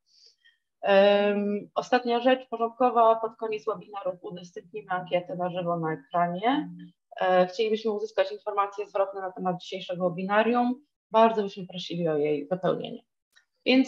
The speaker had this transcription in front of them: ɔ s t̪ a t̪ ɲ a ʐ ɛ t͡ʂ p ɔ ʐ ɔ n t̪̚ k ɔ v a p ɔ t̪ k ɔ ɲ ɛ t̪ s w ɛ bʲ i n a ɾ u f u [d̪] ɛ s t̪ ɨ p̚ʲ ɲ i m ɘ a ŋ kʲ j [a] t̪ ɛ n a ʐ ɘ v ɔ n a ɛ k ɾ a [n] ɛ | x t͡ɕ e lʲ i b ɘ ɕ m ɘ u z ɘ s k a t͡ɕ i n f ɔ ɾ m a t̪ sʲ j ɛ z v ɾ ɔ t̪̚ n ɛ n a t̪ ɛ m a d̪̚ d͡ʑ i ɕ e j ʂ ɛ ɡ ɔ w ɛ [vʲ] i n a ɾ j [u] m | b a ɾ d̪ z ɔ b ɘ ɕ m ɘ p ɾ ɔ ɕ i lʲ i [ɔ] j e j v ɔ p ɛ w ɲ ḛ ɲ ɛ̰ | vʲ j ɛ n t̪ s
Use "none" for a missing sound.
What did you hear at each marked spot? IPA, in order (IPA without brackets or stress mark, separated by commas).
d̪, ɛ, ɲ, bʲ, u, ɔ